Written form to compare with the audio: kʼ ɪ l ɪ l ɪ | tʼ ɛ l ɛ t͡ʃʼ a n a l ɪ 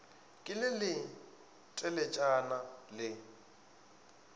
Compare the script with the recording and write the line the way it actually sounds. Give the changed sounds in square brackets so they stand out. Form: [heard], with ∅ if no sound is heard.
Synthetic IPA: kʼ ɪ l ɪ l ɪ | tʼ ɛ l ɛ t͡ʃʼ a n a l ɪ